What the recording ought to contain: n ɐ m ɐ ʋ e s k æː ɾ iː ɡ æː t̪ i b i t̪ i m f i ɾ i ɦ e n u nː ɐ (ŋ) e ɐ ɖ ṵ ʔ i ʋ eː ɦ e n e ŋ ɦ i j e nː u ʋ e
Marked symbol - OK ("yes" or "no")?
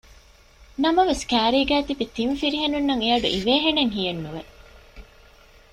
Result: yes